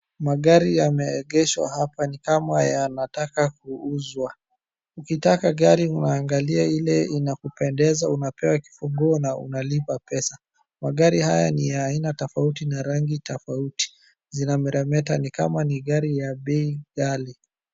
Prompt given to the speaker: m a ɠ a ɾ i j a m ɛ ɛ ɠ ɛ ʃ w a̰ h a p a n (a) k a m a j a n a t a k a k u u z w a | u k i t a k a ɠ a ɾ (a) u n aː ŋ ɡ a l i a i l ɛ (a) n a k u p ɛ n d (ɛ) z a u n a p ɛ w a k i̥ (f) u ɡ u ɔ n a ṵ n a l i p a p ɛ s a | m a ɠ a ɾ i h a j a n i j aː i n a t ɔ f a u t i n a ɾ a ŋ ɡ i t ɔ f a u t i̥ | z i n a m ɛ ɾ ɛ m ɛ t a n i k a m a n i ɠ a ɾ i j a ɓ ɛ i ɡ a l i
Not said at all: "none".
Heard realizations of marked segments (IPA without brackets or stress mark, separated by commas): i, i, i, ɛ, f